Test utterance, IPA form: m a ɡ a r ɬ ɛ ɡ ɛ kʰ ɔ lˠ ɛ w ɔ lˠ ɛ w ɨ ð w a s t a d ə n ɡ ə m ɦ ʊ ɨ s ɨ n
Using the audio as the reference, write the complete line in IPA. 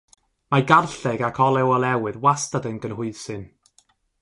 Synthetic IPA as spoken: m a ɡ a r ɬ ɛ ɡ a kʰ ɔ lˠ ɛ w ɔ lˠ ɛ w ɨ ð w a s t a d ə n ɡ ə n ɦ ʊ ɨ s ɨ n

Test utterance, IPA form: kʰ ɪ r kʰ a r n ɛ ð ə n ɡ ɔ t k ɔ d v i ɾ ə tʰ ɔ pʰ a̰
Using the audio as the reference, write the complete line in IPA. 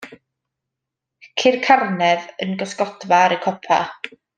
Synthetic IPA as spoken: kʰ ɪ r kʰ a r n ɛ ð ə n ɡ ɔ s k ɔ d v a ɾ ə kʰ ɔ pʰ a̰

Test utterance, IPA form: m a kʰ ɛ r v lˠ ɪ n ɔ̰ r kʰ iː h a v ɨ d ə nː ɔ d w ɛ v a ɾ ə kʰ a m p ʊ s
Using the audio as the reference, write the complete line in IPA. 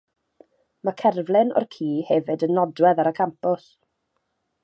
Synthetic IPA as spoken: m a kʰ ɛ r v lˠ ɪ n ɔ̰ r kʰ iː h ɛ v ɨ d ə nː ɔ d w ɛ ð a ɾ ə kʰ a m p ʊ s

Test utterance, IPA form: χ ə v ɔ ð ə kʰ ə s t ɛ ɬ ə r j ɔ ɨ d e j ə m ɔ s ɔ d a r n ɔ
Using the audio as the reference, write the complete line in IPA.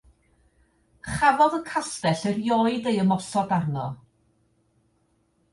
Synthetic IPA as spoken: χ a v ɔ ð ə kʰ a s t ɛ ɬ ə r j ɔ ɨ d e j ə m ɔ s ɔ d a r n ɔ

